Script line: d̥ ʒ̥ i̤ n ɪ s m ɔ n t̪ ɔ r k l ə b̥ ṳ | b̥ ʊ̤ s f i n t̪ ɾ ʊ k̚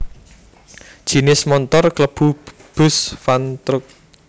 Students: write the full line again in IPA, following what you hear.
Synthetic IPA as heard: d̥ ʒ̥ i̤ n ɪ s m ɔ n t̪ ɔ r k l ə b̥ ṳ | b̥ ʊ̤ s f a n t̪ ɾ ʊ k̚